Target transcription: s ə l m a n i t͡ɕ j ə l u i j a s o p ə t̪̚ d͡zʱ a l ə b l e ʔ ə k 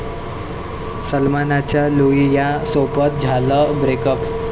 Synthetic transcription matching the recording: s ə l m a n a t͡ɕ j a l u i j a s o p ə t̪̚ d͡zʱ a l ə b ɾ e k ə p